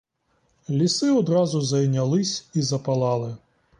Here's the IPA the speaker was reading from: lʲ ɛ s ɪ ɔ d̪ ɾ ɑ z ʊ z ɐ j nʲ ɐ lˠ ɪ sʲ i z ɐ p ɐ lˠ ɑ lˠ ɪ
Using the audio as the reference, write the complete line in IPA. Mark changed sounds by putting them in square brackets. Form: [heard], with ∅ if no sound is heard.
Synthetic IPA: lʲ [i] s ɪ ɔ d̪ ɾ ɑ z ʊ z ɐ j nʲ ɐ lˠ ɪ sʲ i z ɐ p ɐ lˠ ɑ lˠ ɪ